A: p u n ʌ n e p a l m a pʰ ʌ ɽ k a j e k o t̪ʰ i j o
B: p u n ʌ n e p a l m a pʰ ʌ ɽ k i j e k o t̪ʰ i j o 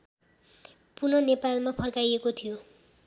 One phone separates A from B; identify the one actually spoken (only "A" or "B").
A